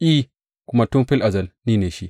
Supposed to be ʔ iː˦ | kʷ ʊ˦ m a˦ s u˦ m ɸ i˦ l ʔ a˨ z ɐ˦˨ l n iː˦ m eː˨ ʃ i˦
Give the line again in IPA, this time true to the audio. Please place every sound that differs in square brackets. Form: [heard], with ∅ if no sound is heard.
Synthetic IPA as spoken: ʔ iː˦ | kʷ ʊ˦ m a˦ [t] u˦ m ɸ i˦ l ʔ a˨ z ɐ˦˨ l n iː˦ [n] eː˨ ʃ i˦